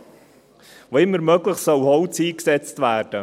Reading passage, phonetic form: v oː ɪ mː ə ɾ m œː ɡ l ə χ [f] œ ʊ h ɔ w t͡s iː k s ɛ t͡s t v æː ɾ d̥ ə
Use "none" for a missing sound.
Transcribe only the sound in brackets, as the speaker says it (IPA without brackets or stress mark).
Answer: s